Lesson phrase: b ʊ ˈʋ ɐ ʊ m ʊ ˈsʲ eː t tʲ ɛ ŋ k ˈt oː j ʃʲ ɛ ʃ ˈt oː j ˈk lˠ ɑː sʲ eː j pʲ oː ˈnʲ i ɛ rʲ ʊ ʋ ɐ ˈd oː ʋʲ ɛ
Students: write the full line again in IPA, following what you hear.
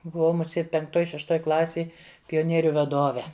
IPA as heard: b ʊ ˈʋ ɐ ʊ m ʊ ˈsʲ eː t pʲ ɛ ŋ k ˈt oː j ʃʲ ɛ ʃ ˈt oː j ˈk lˠ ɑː sʲ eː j pʲ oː ˈnʲ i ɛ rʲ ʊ ʋ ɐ ˈd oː ʋʲ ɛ